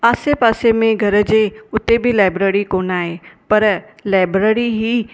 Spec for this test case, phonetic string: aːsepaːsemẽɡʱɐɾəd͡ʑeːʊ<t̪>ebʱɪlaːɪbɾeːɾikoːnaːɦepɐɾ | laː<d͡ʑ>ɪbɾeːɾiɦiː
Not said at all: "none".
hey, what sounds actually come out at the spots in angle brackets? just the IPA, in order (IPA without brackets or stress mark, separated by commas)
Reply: t̪, none